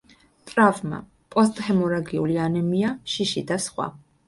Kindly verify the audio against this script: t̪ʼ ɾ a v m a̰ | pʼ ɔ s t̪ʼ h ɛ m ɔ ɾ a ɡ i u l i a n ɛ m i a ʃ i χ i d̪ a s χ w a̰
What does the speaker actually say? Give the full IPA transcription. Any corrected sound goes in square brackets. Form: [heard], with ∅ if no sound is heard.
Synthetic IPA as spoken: t̪ʼ ɾ a v m a̰ | pʼ ɔ s t̪ʼ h ɛ m ɔ ɾ a ɡ i u l i a n ɛ m i a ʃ i [ʃ] i d̪ a s χ w a̰